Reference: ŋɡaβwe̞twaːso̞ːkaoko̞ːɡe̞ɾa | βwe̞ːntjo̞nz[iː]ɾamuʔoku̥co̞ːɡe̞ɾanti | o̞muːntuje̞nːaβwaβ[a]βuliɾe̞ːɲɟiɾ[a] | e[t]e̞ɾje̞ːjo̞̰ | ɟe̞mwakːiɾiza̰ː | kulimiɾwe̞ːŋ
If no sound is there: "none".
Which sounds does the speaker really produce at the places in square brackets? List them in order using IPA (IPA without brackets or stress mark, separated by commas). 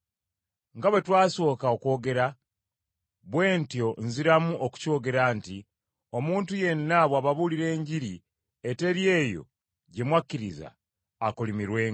i, a, i, t